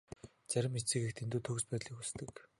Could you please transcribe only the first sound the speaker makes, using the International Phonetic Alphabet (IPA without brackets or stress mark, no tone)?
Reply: t͡s